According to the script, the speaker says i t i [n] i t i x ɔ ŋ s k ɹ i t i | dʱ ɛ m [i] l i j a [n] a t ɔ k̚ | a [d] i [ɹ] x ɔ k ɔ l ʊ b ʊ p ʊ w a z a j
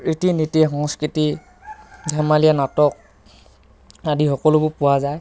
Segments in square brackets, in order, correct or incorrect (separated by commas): correct, incorrect, correct, correct, incorrect